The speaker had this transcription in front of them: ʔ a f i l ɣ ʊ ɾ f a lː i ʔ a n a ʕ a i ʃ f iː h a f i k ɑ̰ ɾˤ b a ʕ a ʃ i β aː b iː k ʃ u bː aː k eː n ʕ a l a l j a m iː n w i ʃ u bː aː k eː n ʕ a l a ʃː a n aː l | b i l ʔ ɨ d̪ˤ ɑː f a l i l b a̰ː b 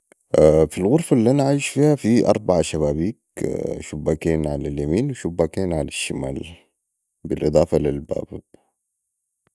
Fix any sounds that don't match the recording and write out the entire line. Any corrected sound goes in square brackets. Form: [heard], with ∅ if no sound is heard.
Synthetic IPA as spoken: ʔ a f i l ɣ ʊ ɾ f a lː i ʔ a n a ʕ a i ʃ f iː h a f i [ʔ] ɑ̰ ɾˤ b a ʕ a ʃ [a] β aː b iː k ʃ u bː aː k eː n ʕ a l a l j a m iː n w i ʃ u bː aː k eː n ʕ a l a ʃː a [m] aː l | b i l ʔ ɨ d̪ˤ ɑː f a l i l b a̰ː b